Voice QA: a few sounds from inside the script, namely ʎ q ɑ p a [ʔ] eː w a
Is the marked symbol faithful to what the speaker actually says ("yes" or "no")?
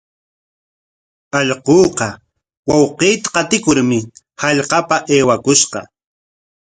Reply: yes